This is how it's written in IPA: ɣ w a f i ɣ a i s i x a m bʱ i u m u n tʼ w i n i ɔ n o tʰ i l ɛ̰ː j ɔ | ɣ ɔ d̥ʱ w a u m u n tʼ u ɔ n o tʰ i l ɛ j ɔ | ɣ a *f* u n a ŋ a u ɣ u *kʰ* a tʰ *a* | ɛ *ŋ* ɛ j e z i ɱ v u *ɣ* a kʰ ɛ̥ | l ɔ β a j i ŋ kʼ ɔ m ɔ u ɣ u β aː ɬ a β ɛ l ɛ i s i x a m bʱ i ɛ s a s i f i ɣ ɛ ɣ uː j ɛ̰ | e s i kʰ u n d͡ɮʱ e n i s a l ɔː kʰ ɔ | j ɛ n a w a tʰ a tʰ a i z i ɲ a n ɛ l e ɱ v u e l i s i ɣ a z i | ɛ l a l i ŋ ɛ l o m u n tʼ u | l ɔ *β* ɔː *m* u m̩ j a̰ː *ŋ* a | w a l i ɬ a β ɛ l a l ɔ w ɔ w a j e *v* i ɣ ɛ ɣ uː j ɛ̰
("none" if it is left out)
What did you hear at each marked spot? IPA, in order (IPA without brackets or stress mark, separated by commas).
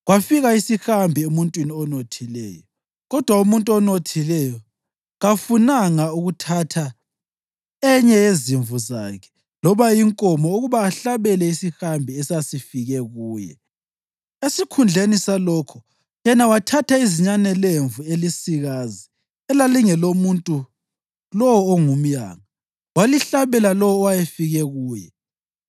f, tʰ, a, ɲ, z, w, ŋ, ŋ, f